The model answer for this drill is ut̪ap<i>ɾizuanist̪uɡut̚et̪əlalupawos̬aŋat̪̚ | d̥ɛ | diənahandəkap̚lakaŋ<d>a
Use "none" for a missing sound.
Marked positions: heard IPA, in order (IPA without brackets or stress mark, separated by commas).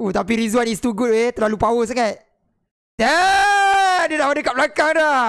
i, d